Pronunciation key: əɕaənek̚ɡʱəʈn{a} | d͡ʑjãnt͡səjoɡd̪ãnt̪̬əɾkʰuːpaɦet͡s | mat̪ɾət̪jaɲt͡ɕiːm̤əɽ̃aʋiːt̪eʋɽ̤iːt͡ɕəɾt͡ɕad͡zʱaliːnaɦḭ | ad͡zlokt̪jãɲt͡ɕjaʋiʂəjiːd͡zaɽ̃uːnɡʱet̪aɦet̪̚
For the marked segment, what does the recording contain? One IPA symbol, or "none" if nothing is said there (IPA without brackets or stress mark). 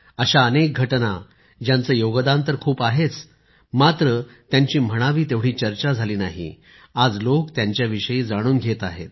a